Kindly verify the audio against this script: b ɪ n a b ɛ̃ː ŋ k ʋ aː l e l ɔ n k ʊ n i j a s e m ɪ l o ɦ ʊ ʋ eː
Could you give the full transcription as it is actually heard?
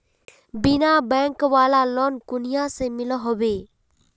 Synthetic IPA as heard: b ɪ n a b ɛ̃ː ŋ k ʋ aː l a l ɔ n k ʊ n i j a s e m ɪ l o ɦ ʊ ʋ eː